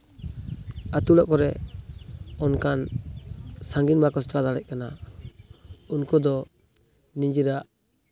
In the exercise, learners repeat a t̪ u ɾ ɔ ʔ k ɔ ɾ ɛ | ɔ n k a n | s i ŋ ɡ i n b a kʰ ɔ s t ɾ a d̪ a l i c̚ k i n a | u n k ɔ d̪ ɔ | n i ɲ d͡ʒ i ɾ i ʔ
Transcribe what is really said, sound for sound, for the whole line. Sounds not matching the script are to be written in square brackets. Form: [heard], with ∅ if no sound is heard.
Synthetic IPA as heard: a t̪ u [l] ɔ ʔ k ɔ ɾ ɛ | ɔ n k a n | s [a] ŋ ɡ i n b a [k] ɔ s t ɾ a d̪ a l [ɛ] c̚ k [a] n a | u n k ɔ d̪ ɔ | n i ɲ d͡ʒ i ɾ [a] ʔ